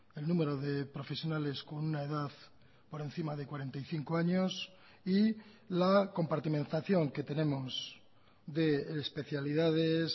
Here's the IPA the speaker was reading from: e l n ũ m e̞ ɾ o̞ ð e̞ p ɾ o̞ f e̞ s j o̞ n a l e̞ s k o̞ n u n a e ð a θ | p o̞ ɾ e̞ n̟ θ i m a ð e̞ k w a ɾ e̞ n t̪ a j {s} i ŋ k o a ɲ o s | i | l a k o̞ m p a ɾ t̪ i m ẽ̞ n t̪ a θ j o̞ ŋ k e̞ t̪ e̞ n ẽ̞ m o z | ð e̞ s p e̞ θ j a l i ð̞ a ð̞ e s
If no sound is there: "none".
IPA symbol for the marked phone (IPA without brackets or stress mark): θ